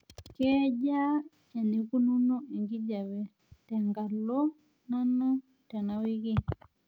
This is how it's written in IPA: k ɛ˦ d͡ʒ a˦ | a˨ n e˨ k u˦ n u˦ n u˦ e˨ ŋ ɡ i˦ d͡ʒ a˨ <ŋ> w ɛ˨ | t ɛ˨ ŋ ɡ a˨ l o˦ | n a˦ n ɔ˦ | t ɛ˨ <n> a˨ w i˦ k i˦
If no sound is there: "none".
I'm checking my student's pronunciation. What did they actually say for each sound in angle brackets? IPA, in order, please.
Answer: none, n

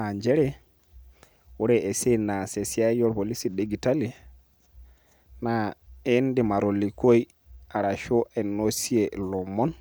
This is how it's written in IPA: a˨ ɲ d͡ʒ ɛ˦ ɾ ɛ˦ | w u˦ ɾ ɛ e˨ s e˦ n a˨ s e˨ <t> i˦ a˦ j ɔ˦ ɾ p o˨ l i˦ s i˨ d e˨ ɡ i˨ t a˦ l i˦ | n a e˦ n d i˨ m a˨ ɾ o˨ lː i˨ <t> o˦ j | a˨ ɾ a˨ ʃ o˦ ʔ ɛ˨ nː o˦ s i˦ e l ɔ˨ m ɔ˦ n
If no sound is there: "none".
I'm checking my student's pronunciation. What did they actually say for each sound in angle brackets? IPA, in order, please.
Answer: s, k

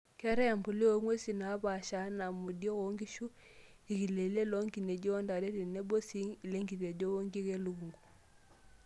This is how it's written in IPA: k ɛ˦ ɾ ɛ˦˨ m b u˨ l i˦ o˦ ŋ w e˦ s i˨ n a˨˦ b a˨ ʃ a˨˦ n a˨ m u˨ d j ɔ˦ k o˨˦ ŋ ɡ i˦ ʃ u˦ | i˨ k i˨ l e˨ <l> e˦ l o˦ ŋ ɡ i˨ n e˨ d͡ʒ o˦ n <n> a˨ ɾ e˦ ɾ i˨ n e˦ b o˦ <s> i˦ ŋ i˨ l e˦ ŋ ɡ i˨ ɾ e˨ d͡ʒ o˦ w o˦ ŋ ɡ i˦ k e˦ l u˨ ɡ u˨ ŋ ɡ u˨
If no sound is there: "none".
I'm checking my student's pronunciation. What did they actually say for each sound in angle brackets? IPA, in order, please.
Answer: l, d, s

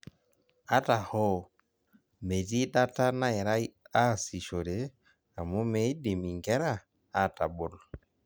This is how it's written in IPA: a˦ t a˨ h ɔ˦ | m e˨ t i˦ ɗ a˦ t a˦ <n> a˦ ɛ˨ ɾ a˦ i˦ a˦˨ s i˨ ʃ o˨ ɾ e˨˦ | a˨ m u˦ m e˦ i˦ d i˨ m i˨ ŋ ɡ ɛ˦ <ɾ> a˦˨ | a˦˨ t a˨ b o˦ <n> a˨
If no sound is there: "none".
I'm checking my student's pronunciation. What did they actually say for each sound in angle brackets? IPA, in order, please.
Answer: n, ɾ, n

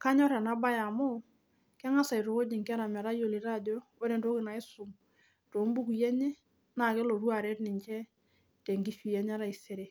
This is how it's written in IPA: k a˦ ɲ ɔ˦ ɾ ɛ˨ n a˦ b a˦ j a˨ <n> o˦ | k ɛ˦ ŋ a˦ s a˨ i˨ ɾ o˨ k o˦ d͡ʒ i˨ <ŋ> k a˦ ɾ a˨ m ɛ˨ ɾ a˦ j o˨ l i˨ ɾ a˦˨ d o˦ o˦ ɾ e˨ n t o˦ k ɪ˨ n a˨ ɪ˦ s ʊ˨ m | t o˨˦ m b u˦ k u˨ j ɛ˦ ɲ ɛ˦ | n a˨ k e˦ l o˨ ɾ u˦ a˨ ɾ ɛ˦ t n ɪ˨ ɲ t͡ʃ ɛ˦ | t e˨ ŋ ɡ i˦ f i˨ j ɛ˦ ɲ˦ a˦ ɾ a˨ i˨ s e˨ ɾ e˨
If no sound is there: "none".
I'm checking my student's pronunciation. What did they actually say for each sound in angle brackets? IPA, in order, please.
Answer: m, ŋ

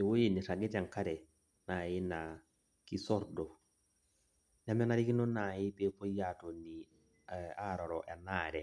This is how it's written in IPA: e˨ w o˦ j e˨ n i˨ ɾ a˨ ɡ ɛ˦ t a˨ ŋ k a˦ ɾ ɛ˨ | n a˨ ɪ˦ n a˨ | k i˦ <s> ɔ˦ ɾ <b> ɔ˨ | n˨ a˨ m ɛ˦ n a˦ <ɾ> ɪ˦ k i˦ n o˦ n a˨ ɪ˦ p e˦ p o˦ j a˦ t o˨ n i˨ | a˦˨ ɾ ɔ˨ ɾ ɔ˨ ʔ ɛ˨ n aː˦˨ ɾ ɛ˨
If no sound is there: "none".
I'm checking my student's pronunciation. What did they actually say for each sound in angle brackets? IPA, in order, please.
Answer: s, d, ɾ

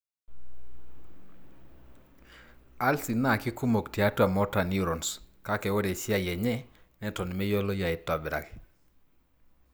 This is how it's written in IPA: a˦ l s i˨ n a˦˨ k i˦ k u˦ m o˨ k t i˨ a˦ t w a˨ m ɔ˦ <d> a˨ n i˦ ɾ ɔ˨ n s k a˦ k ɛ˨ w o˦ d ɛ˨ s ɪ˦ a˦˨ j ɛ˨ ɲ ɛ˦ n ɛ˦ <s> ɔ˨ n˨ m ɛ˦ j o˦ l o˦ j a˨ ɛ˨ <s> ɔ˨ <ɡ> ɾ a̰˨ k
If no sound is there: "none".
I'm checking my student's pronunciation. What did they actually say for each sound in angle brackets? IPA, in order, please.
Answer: t, t, t, b

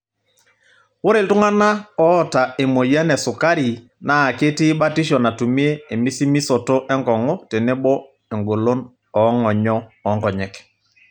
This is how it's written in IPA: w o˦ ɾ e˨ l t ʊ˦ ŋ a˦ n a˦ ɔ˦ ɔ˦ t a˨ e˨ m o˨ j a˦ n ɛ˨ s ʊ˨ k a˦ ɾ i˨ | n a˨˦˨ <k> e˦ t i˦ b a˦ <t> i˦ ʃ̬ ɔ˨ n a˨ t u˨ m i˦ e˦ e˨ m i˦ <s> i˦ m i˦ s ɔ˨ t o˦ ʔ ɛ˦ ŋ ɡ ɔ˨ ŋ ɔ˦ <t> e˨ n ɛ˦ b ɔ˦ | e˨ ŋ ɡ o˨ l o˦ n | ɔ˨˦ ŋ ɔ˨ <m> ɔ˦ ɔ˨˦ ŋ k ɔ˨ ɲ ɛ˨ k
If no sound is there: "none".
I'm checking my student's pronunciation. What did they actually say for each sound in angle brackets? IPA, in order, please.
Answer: k, t, s, t, ɲ

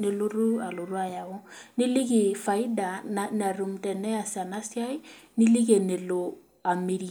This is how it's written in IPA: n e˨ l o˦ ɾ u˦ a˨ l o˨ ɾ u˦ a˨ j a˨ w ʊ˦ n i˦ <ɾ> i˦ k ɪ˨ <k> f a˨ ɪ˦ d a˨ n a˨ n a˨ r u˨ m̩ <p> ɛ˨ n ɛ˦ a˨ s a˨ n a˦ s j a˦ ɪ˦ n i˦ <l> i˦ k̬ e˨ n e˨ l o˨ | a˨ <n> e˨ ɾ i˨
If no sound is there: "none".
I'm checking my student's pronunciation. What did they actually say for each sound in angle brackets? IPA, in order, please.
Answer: l, none, t, l, m

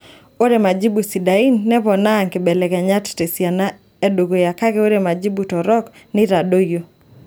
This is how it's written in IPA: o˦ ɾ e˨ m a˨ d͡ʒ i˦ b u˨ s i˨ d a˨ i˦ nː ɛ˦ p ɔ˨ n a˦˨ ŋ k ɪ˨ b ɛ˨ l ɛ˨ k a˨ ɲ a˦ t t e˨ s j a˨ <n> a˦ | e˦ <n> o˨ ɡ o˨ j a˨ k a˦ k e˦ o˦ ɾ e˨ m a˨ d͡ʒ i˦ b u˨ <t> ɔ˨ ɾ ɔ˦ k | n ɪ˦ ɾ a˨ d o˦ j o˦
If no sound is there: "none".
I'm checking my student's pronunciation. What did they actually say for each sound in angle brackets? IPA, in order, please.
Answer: n, d, t

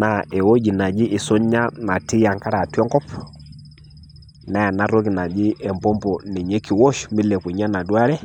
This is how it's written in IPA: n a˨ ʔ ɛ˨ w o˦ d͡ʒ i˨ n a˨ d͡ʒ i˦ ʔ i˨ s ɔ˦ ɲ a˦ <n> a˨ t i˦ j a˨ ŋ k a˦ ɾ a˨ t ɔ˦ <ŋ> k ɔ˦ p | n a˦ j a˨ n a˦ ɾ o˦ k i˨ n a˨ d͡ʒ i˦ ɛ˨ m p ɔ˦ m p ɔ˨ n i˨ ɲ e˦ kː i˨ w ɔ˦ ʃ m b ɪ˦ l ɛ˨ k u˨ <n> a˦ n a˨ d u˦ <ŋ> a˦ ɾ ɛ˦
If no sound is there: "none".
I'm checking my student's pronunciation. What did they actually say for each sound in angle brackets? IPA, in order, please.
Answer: n, ŋ, ɲ, none

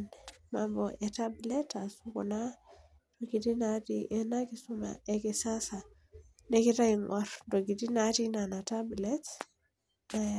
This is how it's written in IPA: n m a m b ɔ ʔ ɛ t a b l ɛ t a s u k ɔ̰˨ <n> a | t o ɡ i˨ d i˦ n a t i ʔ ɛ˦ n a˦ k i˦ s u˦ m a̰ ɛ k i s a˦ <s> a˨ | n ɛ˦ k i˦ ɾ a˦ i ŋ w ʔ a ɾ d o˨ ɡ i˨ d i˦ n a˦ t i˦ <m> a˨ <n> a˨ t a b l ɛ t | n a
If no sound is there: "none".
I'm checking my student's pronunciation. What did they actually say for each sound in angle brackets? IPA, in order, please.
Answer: n, s, n, n

